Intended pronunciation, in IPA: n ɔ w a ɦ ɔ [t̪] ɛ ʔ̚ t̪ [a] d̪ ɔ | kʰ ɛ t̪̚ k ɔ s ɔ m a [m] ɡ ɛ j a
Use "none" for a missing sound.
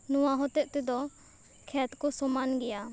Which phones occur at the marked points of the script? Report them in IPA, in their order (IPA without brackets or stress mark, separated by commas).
t̪, ɛ, n